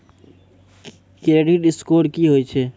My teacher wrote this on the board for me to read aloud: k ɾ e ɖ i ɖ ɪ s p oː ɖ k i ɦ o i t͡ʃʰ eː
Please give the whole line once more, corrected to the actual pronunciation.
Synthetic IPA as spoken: k ɾ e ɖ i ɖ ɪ s k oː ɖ k i ɦ o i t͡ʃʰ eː